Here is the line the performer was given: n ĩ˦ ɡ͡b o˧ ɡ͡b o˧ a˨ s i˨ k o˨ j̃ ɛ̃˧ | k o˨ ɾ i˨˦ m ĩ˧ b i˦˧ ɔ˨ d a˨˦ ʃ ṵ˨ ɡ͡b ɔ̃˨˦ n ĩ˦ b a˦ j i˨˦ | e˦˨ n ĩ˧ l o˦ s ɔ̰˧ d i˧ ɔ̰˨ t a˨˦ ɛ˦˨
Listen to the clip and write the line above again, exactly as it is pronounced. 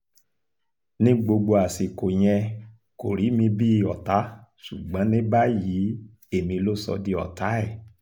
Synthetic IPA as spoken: n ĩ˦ ɡ͡b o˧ ɡ͡b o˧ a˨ s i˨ k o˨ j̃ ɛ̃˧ | k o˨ ɾ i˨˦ m ĩ˧ b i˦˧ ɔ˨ t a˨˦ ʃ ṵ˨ ɡ͡b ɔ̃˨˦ n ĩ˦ b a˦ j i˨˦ | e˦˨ m ĩ˧ l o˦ s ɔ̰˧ d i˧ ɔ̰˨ t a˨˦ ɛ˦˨

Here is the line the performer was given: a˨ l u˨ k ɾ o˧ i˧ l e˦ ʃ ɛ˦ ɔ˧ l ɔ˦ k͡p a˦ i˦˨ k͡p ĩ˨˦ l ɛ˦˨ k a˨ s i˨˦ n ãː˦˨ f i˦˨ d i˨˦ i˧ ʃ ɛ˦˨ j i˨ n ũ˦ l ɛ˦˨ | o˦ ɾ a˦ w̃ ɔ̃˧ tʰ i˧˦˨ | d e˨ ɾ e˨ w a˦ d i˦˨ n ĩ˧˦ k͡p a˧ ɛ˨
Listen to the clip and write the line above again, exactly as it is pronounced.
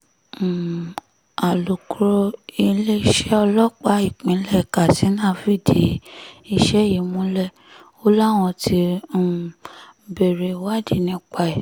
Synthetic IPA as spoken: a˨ l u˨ k ɾ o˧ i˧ l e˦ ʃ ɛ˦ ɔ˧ l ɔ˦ k͡p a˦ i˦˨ k͡p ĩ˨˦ l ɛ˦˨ k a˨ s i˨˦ n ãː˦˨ f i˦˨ d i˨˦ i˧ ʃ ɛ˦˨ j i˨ m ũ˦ l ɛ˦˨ | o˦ l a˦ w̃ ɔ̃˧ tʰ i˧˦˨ | b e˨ ɾ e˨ w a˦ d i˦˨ n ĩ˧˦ k͡p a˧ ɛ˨

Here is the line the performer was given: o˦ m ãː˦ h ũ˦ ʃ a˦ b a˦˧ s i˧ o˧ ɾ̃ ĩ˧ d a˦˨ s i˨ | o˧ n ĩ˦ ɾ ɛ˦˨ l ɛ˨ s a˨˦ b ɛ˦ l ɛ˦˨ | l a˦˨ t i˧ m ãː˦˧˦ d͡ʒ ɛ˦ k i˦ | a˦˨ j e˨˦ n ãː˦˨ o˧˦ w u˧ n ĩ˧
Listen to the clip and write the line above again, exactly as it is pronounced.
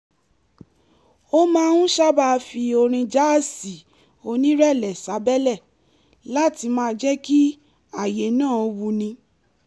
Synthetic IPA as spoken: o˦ m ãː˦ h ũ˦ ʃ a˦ b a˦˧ f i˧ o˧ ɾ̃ ĩ˧ d͡ʒ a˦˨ s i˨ | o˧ n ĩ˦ ɾ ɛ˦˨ l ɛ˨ s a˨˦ b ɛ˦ l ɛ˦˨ | l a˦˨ t i˧ m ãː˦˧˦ d͡ʒ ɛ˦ k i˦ | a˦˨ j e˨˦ n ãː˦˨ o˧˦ w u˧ n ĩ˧

